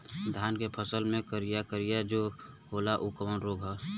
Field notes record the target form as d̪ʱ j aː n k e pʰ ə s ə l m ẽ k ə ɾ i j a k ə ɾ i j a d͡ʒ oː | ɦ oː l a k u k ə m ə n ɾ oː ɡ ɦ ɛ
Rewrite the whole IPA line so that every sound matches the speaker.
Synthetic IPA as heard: d̪ʱ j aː n k e pʰ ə s ə l m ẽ k ə ɾ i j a k ə ɾ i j a d͡ʒ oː | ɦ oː l a ʔ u k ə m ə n ɾ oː ɡ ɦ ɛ